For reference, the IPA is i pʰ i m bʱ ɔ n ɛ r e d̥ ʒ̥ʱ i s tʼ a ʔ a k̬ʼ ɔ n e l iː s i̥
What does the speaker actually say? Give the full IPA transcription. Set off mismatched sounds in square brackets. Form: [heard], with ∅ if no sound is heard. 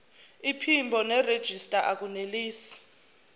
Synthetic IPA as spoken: i pʰ i m bʱ ɔ n ɛ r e d̥ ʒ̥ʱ i s tʼ a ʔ a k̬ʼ [u] n e l iː s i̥